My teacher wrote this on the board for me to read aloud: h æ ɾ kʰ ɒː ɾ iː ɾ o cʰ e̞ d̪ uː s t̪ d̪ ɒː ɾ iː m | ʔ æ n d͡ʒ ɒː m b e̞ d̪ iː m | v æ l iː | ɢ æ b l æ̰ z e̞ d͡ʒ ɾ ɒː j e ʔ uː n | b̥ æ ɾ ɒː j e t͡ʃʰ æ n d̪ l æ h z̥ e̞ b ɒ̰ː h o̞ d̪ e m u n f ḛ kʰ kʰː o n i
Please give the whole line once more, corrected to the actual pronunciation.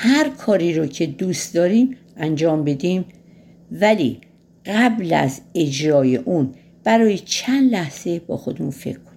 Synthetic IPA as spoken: h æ ɾ kʰ ɒː ɾ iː ɾ o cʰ e̞ d̪ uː s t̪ d̪ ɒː ɾ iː m | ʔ æ n d͡ʒ ɒː m b e̞ d̪ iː m | v æ l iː | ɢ æ b l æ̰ z e̞ d͡ʒ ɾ ɒː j e ʔ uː n | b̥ æ ɾ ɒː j e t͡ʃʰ æ n d̪ l æ h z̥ e̞ b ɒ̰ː x o̞ d̪ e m u n f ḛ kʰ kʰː o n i